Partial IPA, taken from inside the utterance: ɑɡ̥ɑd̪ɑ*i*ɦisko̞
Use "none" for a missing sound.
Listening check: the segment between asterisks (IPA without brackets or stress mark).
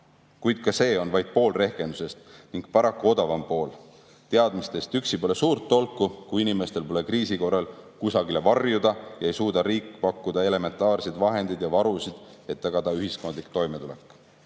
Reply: y